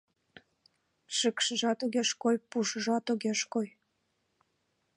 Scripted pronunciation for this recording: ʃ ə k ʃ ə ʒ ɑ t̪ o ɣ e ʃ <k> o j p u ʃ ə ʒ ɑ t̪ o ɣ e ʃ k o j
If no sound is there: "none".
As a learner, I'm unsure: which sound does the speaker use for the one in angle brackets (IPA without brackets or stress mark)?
k